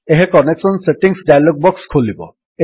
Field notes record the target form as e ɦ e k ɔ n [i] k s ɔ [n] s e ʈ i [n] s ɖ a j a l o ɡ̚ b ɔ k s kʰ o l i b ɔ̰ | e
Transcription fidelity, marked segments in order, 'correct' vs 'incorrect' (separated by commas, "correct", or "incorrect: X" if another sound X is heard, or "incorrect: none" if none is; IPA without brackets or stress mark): incorrect: e, correct, incorrect: ŋ